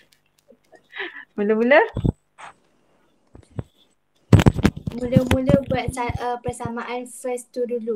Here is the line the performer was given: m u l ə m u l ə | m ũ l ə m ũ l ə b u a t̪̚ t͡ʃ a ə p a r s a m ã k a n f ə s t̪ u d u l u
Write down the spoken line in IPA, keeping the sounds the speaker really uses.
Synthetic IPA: m u l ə m u l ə | m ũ l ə m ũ l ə b u a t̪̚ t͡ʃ a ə p ə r s a m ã ʔ a n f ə s t̪ u d u l u